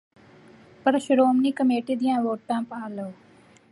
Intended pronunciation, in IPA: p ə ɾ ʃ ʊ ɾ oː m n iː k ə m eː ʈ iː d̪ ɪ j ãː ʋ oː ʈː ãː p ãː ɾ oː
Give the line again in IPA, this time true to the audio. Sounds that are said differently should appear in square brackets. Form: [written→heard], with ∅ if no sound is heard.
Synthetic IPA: p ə ɾ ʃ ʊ ɾ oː m n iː k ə m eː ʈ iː d̪ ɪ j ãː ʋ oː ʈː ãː p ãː [ɾ→l] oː